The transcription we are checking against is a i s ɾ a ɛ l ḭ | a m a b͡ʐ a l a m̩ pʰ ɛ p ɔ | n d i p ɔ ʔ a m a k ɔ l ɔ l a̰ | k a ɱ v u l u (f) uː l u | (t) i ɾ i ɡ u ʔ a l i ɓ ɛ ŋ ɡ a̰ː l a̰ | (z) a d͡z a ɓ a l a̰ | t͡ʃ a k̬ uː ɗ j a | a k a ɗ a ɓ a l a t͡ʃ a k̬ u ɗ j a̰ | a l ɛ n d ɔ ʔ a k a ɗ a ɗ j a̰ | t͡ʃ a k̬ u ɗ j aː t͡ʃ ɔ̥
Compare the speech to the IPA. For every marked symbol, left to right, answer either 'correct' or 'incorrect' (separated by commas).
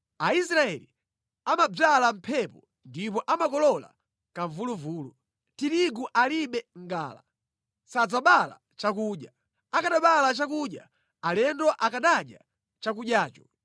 incorrect, correct, incorrect